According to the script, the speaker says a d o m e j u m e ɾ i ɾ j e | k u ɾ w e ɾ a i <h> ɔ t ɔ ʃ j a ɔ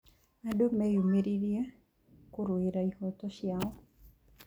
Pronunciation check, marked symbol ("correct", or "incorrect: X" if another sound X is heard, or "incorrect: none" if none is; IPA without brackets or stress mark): correct